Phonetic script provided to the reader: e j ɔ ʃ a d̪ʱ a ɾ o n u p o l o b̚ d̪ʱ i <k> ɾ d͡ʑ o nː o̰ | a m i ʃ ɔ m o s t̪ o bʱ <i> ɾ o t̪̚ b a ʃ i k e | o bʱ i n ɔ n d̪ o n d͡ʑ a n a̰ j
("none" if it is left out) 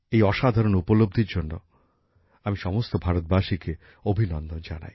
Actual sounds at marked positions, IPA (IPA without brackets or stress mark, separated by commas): none, a